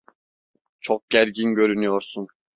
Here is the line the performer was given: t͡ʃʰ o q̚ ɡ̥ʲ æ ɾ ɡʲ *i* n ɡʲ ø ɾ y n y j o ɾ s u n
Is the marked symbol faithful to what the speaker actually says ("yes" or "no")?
yes